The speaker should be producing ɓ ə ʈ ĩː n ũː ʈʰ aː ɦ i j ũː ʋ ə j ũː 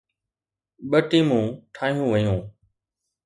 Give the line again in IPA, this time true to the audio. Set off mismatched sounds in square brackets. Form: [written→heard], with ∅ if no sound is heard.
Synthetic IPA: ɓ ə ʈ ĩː [n→m] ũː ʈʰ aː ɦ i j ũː ʋ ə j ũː